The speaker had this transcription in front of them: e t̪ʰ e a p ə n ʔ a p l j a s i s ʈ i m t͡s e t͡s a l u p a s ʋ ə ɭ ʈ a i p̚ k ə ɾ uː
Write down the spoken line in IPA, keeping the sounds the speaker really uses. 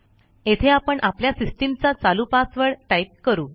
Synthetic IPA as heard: e t̪ʰ e a p ə ɳ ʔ a p l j a s i s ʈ i m t͡s a t͡s a l u p a s ʋ ə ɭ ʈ a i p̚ k ə ɾ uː